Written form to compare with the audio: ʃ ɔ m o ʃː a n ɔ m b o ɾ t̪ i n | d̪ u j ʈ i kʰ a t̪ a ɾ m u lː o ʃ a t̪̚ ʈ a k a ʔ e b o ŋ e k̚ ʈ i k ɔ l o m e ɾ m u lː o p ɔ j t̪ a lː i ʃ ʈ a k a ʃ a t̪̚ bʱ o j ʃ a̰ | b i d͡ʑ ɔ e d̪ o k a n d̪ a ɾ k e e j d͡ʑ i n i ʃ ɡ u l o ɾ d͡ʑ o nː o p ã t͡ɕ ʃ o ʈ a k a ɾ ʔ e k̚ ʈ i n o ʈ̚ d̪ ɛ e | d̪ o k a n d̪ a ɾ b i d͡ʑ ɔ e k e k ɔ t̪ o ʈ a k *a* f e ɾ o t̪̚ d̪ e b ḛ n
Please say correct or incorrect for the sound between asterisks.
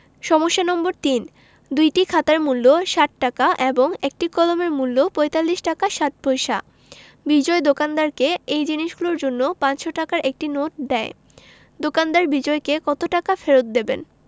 correct